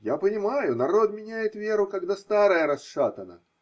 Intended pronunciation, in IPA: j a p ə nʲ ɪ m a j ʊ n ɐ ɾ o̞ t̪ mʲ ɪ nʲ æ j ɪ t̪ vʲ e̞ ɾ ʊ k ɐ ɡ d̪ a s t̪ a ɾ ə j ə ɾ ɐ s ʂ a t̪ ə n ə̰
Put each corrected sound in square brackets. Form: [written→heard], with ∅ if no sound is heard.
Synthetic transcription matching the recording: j a p ə nʲ ɪ m a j ʊ n ɐ ɾ o̞ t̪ mʲ ɪ nʲ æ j ɪ t̪ vʲ e̞ ɾ ʊ k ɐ ɡ d̪ a s t̪ a ɾ ə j ə ɾ ɐ s ʂ a t̪ ə n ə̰